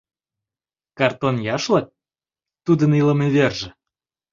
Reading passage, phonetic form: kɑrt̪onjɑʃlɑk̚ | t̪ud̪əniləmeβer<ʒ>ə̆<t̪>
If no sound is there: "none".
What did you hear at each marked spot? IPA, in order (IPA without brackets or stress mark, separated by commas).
ʒ, none